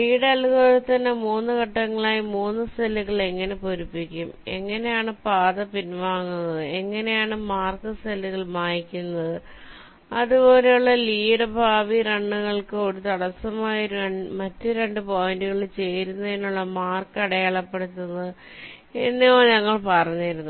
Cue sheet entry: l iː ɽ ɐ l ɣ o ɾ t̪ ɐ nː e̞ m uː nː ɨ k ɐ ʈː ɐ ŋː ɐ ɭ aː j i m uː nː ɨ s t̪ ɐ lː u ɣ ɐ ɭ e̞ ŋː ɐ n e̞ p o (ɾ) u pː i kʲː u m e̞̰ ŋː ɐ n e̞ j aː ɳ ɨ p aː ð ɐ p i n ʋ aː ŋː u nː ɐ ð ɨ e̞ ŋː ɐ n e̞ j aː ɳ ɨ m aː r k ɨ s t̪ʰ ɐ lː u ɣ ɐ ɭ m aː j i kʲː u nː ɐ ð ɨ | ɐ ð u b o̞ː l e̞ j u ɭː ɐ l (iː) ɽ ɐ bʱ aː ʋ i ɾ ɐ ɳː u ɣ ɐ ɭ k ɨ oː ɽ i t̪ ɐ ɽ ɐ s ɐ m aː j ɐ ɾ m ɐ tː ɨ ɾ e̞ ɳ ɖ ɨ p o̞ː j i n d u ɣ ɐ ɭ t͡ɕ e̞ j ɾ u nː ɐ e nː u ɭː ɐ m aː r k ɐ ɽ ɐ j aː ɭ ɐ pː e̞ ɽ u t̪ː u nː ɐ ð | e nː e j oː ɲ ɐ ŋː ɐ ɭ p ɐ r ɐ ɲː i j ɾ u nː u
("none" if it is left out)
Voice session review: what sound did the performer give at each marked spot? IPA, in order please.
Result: ɾ, iː

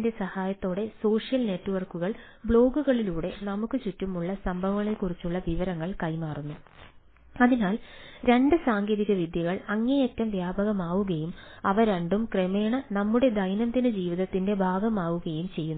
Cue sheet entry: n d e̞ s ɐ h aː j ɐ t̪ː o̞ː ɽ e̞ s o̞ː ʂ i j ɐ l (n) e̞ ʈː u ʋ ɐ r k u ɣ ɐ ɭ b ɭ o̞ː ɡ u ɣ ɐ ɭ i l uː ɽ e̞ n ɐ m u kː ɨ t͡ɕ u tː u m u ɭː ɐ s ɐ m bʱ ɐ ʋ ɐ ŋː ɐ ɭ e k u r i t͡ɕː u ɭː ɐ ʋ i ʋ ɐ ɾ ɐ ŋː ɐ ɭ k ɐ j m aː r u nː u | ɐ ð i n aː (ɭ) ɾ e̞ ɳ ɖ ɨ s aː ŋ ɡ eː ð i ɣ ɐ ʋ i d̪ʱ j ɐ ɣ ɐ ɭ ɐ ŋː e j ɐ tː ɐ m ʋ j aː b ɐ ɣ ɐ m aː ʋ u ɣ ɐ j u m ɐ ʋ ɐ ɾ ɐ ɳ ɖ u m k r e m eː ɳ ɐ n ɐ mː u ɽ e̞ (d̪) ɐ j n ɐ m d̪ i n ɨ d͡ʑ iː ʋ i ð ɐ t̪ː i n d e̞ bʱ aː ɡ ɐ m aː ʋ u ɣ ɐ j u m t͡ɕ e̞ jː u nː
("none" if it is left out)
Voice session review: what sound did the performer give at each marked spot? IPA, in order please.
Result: n, l, d̪

